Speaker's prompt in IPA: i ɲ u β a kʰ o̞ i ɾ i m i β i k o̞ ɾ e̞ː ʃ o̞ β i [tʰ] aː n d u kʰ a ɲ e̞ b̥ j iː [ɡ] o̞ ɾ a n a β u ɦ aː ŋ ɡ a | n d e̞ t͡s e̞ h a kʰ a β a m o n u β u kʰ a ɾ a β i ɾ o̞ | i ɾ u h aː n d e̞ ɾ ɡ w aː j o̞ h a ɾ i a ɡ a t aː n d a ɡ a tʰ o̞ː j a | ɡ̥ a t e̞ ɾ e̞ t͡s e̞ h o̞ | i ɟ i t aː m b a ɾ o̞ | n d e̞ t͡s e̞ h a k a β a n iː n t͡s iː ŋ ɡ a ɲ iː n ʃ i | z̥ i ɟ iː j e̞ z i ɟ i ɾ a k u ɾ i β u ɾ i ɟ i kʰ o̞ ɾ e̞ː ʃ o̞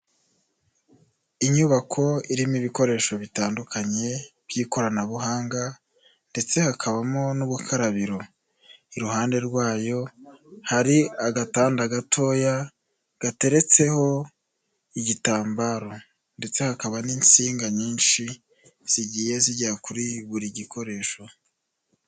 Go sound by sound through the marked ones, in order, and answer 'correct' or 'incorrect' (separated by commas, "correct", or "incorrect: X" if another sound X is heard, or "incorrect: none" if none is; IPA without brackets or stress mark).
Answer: incorrect: t, incorrect: k